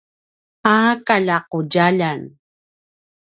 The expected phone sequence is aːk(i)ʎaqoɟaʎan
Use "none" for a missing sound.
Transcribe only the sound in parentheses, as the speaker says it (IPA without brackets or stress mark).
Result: a